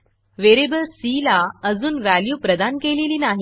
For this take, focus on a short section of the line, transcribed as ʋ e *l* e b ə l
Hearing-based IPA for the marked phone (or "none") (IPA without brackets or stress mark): ɾ